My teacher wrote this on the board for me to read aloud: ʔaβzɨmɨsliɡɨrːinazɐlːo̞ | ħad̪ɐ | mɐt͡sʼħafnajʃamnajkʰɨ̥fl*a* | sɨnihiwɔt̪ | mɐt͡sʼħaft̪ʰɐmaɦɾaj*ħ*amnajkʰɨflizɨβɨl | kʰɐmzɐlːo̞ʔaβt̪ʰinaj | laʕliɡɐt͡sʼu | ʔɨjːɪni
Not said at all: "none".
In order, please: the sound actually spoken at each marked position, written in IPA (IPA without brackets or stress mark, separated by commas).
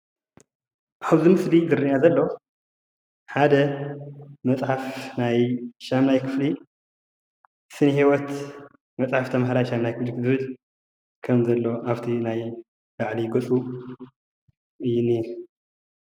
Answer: i, ʃ